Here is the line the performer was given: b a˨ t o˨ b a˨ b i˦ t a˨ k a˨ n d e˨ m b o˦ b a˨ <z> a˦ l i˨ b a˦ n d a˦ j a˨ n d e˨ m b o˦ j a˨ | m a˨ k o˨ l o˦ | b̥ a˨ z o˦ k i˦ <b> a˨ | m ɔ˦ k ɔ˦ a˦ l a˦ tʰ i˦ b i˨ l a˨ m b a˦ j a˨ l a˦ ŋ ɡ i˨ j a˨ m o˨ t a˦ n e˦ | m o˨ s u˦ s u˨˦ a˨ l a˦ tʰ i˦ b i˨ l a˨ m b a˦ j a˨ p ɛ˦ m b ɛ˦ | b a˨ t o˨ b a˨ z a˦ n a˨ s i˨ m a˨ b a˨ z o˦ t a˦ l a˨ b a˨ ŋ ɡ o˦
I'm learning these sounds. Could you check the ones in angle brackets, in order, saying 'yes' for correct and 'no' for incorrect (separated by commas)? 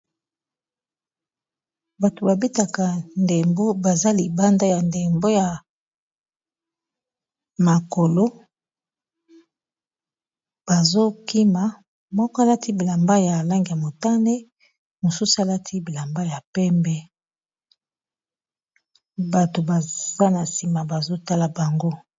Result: yes, no